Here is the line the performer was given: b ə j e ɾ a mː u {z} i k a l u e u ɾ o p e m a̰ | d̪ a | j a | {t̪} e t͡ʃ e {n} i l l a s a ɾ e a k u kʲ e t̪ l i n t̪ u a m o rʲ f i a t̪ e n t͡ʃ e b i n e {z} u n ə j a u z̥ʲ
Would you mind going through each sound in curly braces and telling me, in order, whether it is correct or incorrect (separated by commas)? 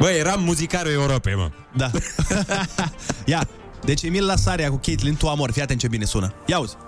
correct, incorrect, incorrect, incorrect